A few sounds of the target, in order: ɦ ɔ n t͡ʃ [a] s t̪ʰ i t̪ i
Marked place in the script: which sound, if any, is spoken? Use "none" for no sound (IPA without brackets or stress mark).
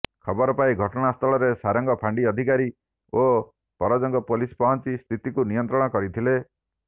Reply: i